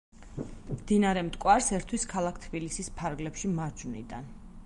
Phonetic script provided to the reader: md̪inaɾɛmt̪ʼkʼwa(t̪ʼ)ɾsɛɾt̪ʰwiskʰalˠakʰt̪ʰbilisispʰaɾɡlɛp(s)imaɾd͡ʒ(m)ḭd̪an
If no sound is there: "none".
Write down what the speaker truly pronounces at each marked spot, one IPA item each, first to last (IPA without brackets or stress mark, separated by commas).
none, ʃ, n